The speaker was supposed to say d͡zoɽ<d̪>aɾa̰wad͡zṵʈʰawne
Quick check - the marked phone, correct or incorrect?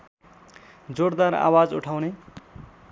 correct